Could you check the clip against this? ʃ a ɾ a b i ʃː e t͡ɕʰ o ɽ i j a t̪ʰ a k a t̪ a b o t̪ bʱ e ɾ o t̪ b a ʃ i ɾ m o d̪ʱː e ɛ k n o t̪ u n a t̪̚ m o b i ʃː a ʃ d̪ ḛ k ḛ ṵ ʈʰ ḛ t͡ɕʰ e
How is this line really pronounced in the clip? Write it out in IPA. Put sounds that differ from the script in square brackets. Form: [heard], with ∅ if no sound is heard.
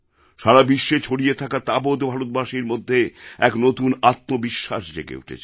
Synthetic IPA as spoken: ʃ a ɾ a b i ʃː e t͡ɕʰ o ɽ i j [e] t̪ʰ a k a t̪ a b o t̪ bʱ [a] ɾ o t̪ b a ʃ i ɾ m o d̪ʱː e ɛ k n o t̪ u n a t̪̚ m o b i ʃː a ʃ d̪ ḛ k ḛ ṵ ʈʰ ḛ t͡ɕʰ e